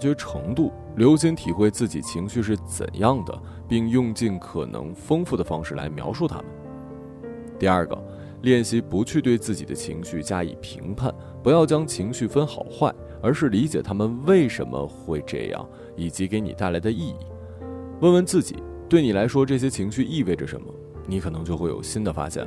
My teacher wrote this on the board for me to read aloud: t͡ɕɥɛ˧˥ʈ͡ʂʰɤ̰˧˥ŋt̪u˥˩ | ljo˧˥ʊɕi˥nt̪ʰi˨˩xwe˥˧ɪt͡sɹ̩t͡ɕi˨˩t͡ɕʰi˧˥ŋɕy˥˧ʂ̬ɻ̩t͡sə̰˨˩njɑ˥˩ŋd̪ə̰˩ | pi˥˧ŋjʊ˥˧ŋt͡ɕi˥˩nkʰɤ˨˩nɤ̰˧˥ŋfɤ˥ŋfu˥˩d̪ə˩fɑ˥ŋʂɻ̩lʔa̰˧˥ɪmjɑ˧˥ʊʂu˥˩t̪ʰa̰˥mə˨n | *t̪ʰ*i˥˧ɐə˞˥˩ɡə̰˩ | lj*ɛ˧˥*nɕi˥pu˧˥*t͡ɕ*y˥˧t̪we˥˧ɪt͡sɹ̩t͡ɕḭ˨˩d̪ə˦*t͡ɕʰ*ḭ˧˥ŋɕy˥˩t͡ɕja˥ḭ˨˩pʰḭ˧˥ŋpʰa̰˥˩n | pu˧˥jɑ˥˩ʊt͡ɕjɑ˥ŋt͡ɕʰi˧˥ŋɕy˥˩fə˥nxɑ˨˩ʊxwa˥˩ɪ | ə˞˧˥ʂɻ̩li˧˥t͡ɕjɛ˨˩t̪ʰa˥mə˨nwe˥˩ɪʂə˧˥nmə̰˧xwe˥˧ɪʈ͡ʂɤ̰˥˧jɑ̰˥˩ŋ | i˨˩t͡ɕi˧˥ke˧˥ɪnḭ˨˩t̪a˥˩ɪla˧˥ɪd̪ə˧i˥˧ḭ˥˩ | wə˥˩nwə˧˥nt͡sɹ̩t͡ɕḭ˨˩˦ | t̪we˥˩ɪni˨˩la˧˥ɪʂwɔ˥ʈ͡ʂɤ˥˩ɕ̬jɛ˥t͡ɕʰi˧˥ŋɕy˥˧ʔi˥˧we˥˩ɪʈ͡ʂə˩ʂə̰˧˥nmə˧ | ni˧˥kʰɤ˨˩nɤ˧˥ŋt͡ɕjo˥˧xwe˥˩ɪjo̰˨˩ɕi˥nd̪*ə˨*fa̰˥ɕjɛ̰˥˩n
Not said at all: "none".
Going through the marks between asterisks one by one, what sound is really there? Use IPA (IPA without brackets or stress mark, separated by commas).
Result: t̪, ɛ˥˩, t͡ɕʰ, t͡ɕʰ, ə˨